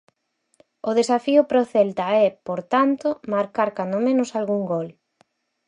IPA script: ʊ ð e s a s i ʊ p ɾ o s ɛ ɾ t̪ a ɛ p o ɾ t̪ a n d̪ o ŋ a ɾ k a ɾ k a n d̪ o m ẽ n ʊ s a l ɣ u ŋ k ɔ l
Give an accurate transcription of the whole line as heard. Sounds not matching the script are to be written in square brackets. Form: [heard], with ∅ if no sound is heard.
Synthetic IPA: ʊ ð e s a [f] i ʊ p ɾ o [θ] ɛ [l] t̪ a ɛ p o ɾ t̪ a n [t̪] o [m] a ɾ k a ɾ k a n d̪ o m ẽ n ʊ s a l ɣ u ŋ [ɡ] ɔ l